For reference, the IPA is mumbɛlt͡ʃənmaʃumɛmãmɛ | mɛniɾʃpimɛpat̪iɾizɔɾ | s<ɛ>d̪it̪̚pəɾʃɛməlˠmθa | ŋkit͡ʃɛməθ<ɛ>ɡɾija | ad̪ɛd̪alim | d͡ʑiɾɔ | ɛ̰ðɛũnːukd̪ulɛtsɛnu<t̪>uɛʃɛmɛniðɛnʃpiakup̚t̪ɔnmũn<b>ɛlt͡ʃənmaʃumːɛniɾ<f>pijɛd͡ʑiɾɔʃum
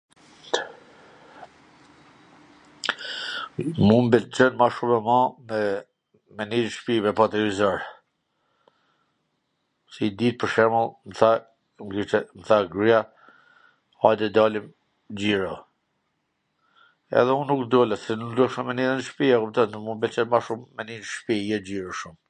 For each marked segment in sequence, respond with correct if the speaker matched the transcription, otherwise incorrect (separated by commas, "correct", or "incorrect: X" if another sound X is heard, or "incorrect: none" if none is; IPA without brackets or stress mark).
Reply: incorrect: i, incorrect: a, incorrect: d̪, correct, incorrect: ʃ